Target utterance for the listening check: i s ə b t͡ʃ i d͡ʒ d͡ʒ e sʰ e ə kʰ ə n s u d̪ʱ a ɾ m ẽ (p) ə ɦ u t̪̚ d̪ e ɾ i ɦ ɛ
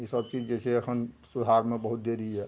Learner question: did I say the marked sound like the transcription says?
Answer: no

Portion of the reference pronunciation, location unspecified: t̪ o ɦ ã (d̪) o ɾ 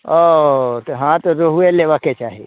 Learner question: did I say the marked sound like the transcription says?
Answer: no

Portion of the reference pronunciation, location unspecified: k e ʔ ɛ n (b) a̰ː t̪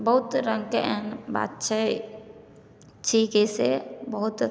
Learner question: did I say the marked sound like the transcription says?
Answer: yes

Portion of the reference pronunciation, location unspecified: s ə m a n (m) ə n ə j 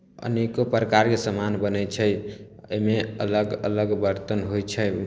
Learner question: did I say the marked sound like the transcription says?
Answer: no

